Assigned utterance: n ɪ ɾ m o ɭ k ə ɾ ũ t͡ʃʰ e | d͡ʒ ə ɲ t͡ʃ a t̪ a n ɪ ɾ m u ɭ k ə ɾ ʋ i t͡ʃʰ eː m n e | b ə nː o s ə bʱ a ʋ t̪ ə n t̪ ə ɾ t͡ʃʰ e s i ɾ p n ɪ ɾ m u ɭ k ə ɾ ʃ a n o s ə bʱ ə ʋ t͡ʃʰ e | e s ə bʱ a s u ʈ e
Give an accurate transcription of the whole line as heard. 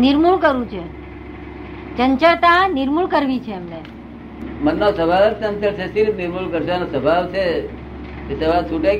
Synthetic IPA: n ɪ ɾ m u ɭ k ə ɾ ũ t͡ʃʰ e | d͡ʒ ə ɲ t͡ʃ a t̪ a n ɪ ɾ m u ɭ k ə ɾ ʋ i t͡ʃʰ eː m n e | m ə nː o s ə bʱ a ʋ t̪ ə n t̪ ə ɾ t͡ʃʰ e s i ɾ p n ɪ ɾ m u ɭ k ə ɾ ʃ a n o s ə bʱ a ʋ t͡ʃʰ e | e s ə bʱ a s u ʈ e